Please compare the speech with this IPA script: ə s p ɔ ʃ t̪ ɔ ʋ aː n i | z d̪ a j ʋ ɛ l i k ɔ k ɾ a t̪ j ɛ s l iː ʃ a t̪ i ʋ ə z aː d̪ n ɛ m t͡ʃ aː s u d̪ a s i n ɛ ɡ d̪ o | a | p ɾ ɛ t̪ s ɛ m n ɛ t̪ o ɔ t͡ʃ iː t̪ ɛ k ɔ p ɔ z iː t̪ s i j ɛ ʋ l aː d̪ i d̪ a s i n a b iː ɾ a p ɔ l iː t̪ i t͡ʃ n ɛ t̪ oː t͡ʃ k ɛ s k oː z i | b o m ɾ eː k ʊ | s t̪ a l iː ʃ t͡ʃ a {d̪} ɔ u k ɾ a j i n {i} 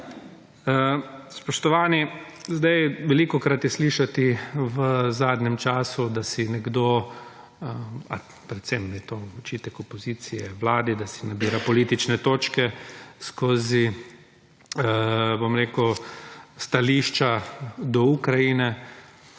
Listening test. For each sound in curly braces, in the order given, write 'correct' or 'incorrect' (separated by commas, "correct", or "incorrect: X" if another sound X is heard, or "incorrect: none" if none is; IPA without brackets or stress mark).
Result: correct, incorrect: ɛ